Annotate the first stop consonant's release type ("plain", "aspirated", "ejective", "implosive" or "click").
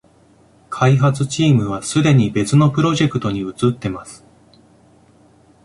aspirated